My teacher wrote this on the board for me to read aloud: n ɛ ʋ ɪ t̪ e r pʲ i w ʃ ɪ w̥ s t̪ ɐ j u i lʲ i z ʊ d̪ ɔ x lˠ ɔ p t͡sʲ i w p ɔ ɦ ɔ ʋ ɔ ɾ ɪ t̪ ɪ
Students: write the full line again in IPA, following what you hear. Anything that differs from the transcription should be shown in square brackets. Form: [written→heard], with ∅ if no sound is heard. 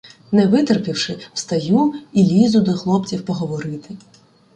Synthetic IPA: n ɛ ʋ ɪ t̪ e r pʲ i w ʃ ɪ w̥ s t̪ ɐ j u i lʲ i z ʊ d̪ ɔ x lˠ ɔ p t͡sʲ i w p ɔ ɦ ɔ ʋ ɔ ɾ ɪ t̪ ɪ